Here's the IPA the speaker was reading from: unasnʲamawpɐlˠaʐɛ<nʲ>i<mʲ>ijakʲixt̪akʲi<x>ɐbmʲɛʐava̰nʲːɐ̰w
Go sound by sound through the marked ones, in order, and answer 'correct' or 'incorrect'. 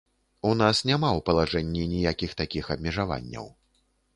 incorrect: nʲː, incorrect: nʲ, correct

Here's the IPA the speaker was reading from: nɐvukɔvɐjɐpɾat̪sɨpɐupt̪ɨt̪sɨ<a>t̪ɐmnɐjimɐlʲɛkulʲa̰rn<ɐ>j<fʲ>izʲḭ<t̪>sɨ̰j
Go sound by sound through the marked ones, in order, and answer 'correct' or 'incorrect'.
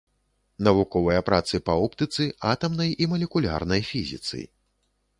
correct, correct, correct, correct

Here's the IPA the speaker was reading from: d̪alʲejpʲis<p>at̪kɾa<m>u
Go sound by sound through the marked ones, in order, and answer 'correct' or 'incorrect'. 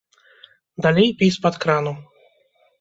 correct, incorrect: n

